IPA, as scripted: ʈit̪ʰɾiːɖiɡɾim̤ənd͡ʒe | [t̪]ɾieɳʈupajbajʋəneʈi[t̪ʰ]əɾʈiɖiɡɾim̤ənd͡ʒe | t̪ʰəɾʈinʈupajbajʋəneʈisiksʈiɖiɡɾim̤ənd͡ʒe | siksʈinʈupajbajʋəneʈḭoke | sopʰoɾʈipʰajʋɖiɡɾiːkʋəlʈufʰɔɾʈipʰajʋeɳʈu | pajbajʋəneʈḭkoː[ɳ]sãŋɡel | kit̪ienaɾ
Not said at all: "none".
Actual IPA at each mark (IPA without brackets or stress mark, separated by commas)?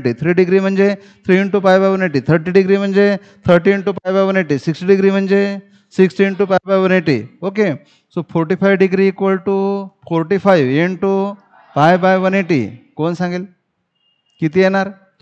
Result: t̪ʰ, t̪ʰ, n